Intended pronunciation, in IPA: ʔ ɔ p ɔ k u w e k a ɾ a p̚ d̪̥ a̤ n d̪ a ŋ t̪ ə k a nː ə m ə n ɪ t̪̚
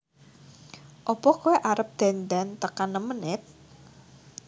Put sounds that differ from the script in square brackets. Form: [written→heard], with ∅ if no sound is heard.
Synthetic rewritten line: ʔ ɔ p ɔ k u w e [k→ʔ] a ɾ [a→ə] p̚ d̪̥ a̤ n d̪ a [ŋ→n] t̪ ə k a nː ə m ə n ɪ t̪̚

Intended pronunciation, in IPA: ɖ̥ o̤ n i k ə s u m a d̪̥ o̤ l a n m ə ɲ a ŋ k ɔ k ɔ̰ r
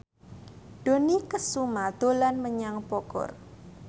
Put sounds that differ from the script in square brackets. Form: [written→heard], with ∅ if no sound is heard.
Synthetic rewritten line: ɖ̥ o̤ n i k ə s u m a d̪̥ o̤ l a n m ə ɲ a ŋ [k→p] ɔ k ɔ̰ r

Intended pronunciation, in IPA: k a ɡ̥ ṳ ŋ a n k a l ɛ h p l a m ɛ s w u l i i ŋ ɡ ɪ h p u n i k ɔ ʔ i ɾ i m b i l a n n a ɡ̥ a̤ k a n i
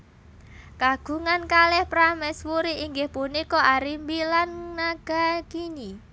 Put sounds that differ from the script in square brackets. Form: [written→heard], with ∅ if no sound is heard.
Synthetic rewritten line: k a ɡ̥ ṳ ŋ a n k a l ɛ h p [l→ɾ] a m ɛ s w u [l→ɾ] i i ŋ ɡ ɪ h p u n i k ɔ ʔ [i→a] ɾ i m b i l a n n a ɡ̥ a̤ k [a→i] n i

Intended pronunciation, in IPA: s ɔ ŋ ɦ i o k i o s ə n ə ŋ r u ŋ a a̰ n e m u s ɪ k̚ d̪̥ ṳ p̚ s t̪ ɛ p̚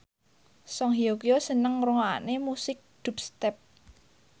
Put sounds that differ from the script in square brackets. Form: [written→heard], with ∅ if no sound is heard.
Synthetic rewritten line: s ɔ ŋ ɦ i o k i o s ə n ə ŋ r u ŋ a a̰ n e m u s ɪ k̚ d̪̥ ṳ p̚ s t̪ ɛ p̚

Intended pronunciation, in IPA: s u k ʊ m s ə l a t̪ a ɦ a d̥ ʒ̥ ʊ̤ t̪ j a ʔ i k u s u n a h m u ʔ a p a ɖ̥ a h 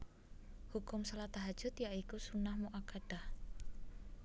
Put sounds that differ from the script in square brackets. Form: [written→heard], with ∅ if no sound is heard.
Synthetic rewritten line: [s→h] u k ʊ m s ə l a t̪ a ɦ a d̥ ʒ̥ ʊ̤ t̪ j a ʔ i k u s u n a h m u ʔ a [p→k] a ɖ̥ a h

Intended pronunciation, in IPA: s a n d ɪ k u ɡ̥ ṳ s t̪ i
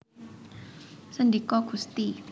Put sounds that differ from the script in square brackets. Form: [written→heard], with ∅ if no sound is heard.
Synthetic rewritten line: s [a→ə] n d [ɪ→i] k [u→ɔ] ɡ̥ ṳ s t̪ i

